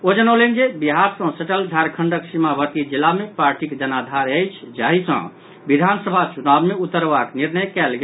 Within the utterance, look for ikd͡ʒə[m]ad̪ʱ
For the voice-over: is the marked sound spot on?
no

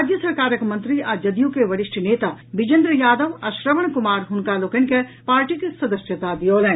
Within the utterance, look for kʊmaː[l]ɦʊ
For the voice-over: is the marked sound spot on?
no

